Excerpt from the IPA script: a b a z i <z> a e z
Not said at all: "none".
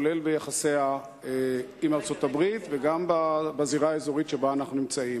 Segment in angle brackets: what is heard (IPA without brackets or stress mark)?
ʁ